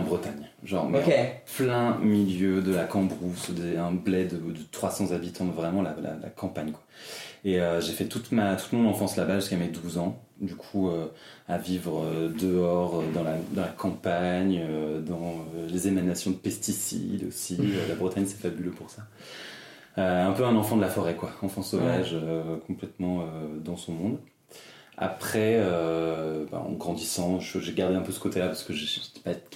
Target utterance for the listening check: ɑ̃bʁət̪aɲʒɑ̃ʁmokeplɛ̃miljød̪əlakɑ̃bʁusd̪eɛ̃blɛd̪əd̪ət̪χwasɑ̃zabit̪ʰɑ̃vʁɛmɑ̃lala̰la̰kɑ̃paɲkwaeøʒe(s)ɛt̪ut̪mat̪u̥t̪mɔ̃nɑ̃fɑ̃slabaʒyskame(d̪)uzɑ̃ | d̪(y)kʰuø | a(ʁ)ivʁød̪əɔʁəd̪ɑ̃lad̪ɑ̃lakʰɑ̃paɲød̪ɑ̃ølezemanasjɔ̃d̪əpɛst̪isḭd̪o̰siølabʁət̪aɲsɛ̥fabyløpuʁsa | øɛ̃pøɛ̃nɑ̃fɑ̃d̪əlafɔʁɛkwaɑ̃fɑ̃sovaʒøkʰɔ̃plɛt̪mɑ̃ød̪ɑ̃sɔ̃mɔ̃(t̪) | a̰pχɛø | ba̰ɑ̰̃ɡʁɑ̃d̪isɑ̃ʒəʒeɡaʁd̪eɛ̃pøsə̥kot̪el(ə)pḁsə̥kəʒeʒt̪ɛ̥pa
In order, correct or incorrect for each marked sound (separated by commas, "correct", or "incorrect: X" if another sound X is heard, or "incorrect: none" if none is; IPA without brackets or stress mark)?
incorrect: f, correct, correct, incorrect: v, incorrect: d̪, incorrect: a